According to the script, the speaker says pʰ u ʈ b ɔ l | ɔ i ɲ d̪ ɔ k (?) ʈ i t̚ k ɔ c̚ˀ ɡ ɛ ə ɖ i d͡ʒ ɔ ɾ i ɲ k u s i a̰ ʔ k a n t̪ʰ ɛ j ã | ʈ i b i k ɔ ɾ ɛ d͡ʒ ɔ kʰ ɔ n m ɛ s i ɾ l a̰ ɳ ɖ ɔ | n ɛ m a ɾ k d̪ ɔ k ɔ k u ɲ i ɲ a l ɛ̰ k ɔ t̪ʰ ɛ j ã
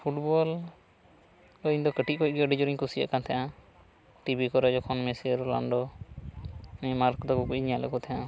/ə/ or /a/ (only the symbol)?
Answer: ə